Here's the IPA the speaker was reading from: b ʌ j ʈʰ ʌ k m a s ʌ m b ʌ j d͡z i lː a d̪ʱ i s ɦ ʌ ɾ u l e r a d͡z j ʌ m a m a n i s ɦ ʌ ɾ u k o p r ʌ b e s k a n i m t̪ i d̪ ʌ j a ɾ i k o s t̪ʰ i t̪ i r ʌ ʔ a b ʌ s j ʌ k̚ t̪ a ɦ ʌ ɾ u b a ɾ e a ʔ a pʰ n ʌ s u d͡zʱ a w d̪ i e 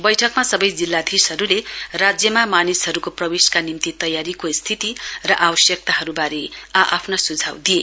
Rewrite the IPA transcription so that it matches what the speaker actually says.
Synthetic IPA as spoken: b ʌ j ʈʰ ʌ k m a s ʌ b ʌ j d͡z i lː a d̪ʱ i s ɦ ʌ ɾ u l e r a d͡z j ʌ m a m a n i s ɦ ʌ ɾ u k o p r ʌ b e s k a n i m t̪ i t̪ ʌ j a ɾ i k o s t̪ʰ i t̪ i r ʌ ʔ a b ʌ s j ʌ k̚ t̪ a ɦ ʌ ɾ u b a ɾ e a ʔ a pʰ n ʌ s u d͡zʱ a w d̪ i e